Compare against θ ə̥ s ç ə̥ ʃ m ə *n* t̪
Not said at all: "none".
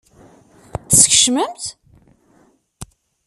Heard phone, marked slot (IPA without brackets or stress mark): m